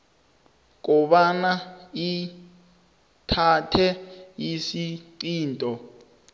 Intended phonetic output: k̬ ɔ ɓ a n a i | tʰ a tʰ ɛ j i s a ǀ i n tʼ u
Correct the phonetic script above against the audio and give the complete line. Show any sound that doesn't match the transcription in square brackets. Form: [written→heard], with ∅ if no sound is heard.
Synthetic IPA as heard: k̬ ɔ ɓ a n a i | tʰ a tʰ ɛ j i s [a→i] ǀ [i→iː] n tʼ [u→ɔ]